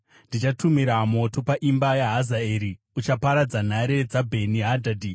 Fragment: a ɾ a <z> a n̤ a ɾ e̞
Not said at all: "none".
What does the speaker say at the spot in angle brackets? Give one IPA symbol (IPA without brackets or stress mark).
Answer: d͡z